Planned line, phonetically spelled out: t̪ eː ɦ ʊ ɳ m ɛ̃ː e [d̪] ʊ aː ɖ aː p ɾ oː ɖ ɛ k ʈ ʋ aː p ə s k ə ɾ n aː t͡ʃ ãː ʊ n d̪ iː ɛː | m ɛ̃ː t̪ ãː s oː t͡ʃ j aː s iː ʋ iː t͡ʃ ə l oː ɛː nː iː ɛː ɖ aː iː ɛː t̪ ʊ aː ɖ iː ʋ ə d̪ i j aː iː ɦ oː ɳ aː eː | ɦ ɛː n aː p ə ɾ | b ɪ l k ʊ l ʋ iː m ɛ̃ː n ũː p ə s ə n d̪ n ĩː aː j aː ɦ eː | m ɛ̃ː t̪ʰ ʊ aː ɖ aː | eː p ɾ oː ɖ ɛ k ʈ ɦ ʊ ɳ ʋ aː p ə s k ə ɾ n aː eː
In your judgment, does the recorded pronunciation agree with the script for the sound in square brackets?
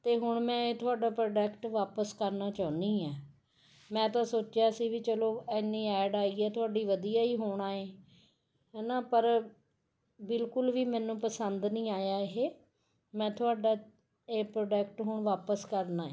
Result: no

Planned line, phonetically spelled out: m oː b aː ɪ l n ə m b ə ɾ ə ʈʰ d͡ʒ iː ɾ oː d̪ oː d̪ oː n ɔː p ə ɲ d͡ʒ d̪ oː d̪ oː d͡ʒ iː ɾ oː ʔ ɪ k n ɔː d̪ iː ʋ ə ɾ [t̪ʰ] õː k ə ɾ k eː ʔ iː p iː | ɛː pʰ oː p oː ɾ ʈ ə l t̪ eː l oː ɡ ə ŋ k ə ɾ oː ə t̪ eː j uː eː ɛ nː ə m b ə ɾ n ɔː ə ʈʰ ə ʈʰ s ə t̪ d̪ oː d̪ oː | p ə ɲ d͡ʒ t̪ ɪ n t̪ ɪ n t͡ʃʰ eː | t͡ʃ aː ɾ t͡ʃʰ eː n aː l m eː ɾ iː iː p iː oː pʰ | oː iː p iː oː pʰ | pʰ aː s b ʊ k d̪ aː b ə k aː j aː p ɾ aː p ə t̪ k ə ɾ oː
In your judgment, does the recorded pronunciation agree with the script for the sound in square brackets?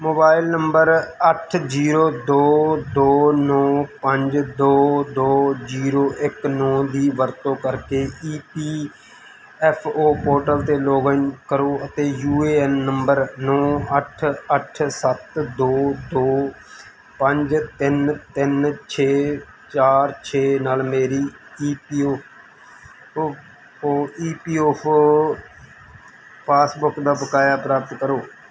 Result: no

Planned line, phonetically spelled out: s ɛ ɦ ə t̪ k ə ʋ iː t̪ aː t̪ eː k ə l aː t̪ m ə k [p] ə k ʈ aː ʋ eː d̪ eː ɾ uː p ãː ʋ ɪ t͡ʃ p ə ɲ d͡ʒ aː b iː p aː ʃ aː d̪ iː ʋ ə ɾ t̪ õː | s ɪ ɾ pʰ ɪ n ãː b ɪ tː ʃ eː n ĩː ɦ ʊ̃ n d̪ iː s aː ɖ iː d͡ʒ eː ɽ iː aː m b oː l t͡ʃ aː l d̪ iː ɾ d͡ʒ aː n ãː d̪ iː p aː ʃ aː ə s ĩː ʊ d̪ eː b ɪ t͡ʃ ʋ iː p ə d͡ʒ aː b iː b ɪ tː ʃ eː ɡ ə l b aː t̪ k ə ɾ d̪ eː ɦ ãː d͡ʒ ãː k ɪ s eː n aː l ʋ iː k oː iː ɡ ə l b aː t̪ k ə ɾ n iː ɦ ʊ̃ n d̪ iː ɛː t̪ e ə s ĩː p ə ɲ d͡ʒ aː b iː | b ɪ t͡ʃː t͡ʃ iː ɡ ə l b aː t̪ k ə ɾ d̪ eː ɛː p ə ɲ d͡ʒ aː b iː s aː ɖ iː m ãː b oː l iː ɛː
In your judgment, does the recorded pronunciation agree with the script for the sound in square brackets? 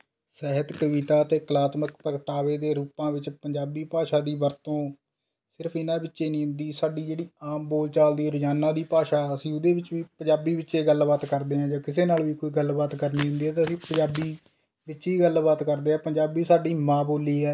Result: yes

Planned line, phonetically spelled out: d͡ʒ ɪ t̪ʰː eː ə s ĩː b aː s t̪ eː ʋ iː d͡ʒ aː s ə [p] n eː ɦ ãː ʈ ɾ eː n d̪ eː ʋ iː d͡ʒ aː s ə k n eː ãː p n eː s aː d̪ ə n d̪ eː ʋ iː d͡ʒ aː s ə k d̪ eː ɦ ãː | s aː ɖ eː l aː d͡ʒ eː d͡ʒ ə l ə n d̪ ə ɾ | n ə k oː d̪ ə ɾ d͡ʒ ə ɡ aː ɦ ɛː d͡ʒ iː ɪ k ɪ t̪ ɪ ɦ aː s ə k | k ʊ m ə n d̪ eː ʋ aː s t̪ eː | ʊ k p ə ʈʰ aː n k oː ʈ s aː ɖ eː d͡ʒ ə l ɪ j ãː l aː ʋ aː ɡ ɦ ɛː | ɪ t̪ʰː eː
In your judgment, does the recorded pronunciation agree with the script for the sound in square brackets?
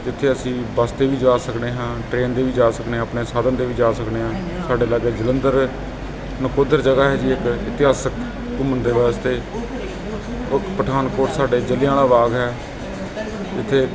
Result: no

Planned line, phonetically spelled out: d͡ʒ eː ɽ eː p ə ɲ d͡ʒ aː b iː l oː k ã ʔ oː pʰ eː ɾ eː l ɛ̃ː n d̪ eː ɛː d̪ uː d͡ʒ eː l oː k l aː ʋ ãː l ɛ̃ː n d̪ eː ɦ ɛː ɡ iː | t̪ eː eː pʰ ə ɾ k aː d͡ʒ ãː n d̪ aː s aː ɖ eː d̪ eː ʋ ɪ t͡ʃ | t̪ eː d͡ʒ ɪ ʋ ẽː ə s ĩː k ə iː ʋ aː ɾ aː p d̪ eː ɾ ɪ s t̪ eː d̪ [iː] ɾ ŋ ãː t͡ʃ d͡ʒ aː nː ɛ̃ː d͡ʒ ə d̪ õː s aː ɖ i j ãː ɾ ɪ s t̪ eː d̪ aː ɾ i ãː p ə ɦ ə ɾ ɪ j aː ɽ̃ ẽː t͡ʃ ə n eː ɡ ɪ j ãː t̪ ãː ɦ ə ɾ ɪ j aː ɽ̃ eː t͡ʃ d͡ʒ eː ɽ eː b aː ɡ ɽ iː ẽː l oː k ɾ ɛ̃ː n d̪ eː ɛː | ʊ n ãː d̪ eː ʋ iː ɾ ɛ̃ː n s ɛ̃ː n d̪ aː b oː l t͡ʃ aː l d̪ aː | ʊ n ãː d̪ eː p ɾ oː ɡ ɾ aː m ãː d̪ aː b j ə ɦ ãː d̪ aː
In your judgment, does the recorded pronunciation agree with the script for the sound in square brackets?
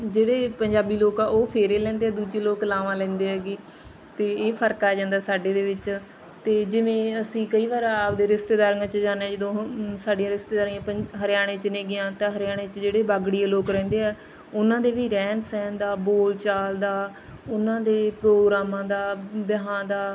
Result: no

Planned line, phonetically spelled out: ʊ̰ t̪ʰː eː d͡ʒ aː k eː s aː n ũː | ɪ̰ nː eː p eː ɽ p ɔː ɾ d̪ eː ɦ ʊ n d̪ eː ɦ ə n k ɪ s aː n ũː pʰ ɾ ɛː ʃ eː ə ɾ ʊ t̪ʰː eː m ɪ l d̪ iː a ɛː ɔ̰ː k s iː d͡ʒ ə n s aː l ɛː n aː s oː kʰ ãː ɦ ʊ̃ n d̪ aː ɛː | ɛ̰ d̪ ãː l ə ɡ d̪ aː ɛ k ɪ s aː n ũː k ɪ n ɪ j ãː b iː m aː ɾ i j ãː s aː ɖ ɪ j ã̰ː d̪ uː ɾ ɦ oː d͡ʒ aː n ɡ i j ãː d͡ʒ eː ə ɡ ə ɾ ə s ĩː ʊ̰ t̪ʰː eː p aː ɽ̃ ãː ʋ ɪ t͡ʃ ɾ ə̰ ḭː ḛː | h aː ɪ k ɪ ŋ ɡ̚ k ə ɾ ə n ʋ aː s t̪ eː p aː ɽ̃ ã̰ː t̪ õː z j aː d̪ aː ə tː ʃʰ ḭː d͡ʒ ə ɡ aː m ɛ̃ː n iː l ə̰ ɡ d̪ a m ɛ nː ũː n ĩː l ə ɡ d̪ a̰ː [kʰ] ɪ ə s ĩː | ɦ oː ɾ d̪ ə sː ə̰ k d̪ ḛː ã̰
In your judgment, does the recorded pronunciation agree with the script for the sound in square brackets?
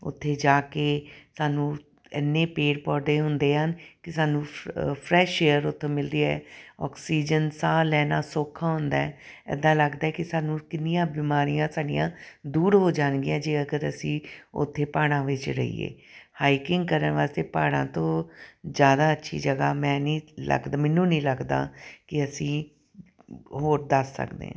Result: no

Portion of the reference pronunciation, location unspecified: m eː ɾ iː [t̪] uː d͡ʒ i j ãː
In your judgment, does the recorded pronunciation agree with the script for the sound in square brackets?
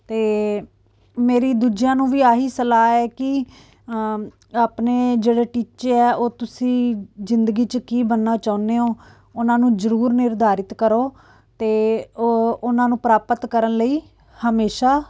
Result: no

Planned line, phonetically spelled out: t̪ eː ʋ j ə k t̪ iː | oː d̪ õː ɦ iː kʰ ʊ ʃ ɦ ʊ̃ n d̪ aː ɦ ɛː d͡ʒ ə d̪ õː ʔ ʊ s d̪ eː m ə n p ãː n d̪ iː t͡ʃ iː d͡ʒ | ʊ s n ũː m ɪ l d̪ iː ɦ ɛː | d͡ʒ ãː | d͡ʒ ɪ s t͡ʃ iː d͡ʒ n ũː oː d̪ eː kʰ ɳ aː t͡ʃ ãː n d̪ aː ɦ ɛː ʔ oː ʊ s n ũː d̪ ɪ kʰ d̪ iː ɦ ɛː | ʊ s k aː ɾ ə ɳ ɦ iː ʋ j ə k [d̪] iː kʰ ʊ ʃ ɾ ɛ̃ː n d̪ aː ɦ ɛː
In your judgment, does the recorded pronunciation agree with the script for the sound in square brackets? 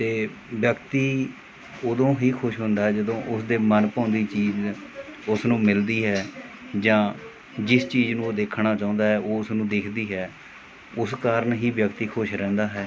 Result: no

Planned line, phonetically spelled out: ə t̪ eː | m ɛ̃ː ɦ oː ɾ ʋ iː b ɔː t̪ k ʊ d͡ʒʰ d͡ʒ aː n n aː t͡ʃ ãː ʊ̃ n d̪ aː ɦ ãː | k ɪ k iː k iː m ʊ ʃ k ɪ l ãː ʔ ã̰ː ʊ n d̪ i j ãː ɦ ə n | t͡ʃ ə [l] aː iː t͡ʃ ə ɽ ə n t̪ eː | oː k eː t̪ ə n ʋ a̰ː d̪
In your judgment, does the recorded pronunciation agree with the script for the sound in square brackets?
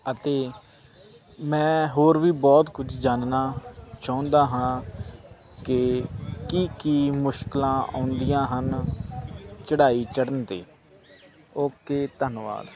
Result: no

